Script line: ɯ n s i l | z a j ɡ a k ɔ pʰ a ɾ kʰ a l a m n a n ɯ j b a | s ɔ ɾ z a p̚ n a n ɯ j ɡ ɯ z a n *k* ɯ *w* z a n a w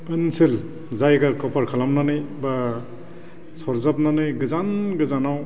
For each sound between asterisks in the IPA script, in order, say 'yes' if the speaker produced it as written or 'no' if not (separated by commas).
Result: no, no